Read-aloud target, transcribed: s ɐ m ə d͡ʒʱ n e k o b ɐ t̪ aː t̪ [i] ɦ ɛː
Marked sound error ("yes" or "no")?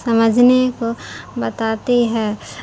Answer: no